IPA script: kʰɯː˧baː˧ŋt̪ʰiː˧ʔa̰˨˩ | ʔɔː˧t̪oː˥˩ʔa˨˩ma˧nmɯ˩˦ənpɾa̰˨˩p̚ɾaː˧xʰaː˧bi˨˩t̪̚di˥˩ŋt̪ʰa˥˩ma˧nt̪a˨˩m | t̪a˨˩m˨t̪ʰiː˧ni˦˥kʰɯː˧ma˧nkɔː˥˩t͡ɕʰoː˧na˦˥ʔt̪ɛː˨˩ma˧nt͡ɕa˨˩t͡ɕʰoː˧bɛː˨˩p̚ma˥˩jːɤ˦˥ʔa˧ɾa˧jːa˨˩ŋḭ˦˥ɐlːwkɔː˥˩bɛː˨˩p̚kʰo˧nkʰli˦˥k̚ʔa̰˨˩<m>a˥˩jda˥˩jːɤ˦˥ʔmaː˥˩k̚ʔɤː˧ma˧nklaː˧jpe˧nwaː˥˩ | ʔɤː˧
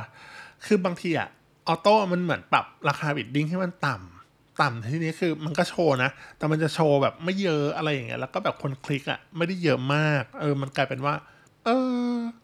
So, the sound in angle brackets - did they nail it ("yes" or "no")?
yes